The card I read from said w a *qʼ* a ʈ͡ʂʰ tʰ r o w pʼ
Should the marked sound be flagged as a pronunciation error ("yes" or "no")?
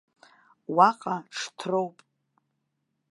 no